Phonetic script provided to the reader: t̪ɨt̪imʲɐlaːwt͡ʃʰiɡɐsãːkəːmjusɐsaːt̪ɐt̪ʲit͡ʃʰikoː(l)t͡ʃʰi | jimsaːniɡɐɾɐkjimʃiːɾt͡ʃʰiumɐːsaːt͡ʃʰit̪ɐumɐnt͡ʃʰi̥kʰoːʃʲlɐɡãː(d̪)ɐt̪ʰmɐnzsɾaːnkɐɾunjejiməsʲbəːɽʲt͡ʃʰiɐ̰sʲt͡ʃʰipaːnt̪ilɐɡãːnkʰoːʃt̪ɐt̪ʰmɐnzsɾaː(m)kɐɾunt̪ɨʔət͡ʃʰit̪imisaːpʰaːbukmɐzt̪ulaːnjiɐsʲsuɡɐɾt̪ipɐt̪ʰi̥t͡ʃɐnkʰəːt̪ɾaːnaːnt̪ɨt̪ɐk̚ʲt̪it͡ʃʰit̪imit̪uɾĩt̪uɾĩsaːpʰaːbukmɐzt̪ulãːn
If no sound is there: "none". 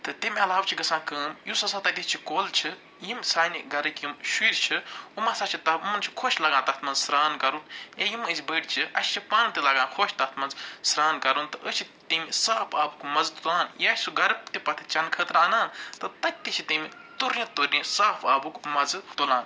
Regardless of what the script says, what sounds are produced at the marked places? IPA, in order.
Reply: l, t̪, n

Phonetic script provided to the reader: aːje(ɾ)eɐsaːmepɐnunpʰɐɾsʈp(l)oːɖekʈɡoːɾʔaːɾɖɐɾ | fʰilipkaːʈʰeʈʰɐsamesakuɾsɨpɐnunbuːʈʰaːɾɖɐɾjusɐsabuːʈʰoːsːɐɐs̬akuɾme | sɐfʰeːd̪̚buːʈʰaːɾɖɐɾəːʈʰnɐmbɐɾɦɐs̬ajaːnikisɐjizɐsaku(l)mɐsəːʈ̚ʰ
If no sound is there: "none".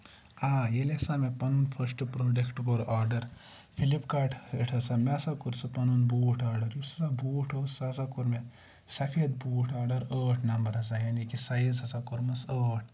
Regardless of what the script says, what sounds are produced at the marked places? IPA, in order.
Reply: l, ɾ, ɾ

